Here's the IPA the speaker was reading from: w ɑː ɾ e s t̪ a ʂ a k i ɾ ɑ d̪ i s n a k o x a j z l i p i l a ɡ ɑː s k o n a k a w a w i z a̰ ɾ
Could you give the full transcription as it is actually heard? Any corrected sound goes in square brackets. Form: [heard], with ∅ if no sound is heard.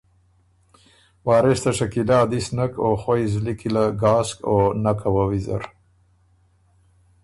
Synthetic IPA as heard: w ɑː ɾ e s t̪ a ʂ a k i [l] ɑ d̪ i s n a k o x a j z l i [k] i l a ɡ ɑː s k o n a k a w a w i z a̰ ɾ

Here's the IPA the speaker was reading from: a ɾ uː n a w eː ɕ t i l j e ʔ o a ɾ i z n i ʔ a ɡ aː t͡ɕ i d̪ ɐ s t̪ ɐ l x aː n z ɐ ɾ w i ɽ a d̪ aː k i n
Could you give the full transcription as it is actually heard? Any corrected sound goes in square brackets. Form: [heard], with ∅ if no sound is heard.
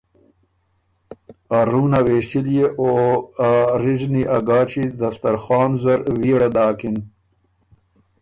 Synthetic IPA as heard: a ɾ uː n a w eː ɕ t i l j e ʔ o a ɾ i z n i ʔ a ɡ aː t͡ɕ i d̪ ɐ s t̪ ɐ [ɾ] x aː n z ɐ ɾ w i ɽ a d̪ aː k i n

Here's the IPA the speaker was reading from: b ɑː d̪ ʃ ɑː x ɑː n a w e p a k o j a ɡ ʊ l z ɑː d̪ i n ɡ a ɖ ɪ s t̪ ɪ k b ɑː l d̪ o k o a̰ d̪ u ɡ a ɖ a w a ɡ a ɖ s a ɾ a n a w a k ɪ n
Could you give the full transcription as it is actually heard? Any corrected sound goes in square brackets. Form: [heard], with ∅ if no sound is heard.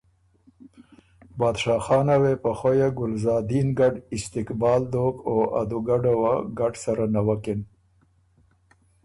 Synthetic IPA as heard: b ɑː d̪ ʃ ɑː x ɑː n a w e p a [x] o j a ɡ ʊ l z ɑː d̪ i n ɡ a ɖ ɪ s t̪ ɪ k b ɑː l d̪ o k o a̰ d̪ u ɡ a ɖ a w a ɡ a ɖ s a ɾ a n a w a k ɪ n

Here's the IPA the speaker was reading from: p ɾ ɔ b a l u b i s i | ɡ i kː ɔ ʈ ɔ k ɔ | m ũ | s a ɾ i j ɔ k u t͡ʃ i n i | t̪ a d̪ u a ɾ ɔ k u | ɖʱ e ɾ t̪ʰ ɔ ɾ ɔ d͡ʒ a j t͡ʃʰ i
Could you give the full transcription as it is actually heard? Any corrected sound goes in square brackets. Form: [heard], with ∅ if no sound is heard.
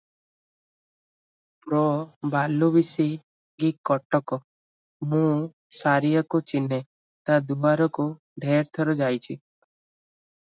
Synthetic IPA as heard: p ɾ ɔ b a l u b i s i | ɡ i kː ɔ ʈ ɔ k ɔ | m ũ | s a ɾ i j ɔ k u t͡ʃ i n [e] | t̪ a d̪ u a ɾ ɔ k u | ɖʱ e ɾ t̪ʰ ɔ ɾ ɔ d͡ʒ a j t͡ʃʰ i

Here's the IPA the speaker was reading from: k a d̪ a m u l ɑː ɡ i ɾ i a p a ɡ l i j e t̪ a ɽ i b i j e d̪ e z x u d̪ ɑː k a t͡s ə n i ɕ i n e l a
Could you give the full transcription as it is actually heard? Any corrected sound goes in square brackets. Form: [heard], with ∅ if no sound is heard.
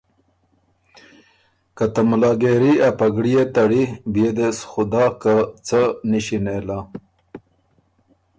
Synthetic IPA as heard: k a [t̪] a m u l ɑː ɡ [e] ɾ i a p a ɡ [ɽ] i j e t̪ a ɽ i b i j e d̪ e [s] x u d̪ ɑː k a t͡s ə n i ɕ i n e l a

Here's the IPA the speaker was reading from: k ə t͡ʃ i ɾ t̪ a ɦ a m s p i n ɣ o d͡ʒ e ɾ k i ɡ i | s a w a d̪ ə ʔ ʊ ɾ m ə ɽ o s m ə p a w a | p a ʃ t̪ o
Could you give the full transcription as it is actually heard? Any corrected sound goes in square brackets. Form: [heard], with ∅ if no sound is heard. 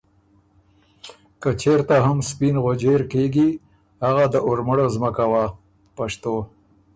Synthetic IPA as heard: k ə t͡ʃ [e] ɾ t̪ a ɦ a m s p i n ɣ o d͡ʒ e ɾ k [e] ɡ i | [h] a [ɣ] a d̪ ə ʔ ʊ ɾ m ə ɽ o [z] m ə [k] a w a | p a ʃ t̪ o

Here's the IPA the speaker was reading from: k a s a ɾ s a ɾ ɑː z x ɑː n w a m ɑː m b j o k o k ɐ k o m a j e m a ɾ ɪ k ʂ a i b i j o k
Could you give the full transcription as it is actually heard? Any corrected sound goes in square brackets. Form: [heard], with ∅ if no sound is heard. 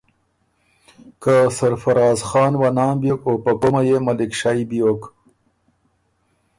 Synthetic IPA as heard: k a s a ɾ [f] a ɾ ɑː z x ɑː n w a [n] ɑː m b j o k o [p] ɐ k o m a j e m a [l] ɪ k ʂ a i b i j o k

